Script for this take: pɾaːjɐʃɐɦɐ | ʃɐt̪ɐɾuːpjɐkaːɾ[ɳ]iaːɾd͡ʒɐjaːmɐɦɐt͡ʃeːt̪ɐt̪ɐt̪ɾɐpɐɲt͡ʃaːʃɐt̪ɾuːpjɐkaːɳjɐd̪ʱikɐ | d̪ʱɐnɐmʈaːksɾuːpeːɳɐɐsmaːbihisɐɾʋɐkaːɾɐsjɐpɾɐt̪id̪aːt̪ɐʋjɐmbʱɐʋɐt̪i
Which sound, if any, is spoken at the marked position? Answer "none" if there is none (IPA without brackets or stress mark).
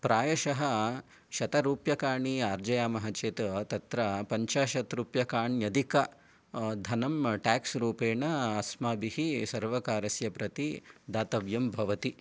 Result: ɳ